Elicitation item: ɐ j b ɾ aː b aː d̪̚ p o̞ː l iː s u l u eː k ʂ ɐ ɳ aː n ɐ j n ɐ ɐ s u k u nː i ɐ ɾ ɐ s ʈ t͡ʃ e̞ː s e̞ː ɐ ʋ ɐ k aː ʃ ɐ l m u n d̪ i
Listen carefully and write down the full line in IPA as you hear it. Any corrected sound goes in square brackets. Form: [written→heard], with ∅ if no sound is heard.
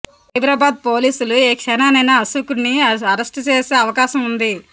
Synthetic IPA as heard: ɐ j b ɾ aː b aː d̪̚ p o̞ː l iː s u l u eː k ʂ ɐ [ɳ→n] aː n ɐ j n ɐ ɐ s u k u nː i ɐ ɾ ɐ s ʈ t͡ʃ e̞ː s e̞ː ɐ ʋ ɐ k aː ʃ ɐ [l→∅] m u n d̪ i